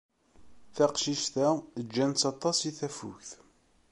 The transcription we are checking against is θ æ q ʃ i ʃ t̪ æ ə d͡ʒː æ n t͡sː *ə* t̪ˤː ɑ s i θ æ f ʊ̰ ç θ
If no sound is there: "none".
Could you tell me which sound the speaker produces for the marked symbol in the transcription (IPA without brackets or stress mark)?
ɑ